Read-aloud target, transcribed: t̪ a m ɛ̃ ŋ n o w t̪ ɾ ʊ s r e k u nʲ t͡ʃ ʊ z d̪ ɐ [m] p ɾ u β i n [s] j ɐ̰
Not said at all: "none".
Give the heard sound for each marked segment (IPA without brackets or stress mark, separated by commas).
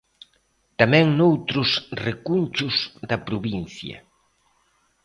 none, θ